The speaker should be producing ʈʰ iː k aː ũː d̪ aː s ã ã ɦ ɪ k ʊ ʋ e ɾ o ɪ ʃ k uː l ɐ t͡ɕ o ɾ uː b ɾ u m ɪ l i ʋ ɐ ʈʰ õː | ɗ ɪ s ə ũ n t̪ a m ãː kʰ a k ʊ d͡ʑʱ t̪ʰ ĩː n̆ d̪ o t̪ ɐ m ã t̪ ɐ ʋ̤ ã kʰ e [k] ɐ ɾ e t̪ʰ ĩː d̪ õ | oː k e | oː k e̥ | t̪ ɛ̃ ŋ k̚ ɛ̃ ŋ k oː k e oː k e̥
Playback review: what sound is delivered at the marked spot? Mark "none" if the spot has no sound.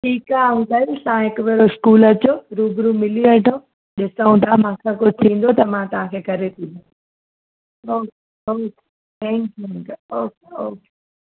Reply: k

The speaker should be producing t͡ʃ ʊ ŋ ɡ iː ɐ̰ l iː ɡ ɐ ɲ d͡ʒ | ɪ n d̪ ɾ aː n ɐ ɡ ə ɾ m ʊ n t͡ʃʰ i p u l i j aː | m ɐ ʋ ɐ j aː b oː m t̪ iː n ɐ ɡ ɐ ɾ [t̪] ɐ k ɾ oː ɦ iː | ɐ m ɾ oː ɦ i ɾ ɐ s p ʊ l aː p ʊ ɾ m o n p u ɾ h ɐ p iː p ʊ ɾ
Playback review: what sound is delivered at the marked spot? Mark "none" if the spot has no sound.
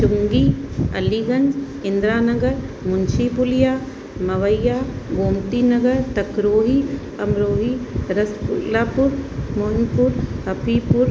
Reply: t̪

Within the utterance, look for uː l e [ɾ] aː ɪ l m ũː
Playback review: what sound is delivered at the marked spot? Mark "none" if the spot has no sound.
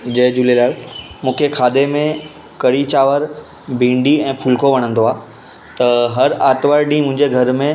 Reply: l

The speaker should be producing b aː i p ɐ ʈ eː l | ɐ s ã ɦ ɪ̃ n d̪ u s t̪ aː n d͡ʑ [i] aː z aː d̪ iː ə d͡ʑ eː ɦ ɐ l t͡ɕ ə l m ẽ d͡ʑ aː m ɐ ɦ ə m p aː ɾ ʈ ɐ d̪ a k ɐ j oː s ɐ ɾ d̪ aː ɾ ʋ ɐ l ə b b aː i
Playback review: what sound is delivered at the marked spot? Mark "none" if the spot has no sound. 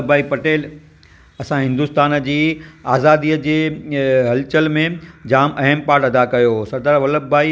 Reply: iː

